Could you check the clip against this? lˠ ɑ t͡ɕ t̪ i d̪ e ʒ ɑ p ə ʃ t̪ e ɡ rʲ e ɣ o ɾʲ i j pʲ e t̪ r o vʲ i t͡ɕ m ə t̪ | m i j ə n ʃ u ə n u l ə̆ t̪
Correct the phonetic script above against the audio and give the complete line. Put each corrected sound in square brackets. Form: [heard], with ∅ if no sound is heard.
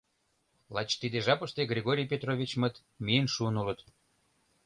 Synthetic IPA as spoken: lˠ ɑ t͡ɕ t̪ i d̪ e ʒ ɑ p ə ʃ t̪ e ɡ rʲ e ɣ o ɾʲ i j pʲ e t̪ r o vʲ i t͡ɕ m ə t̪ | m i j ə n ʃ u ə n u l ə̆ t̪